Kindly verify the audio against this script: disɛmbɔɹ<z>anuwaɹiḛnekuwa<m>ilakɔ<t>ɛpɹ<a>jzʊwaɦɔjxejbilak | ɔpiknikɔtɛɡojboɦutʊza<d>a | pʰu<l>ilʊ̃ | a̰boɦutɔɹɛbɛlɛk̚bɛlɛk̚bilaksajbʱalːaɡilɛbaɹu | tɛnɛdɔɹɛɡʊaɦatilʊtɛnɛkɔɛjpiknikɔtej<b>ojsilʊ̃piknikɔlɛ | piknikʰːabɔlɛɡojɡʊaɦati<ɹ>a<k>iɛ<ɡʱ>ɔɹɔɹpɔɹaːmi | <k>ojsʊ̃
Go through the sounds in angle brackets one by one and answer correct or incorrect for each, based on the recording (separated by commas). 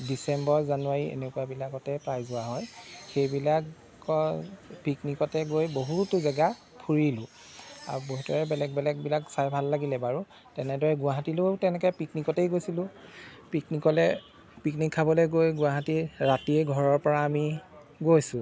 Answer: correct, incorrect, correct, correct, incorrect, incorrect, incorrect, correct, incorrect, correct, incorrect